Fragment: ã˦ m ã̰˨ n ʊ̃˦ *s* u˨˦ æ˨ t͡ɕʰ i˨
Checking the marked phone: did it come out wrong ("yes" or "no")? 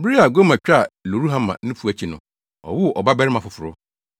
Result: yes